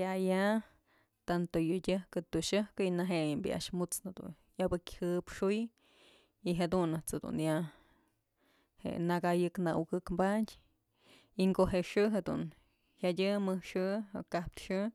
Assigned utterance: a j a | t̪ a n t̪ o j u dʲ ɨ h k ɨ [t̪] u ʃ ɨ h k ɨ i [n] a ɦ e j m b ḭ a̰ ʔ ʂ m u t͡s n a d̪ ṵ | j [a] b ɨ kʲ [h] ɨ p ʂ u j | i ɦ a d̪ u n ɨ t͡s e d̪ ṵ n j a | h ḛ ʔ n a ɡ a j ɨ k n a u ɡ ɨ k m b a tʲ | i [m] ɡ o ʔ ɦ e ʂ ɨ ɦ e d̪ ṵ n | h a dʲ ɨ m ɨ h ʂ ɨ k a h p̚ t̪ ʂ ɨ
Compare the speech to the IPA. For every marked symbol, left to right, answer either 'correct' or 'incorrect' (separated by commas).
correct, correct, correct, correct, incorrect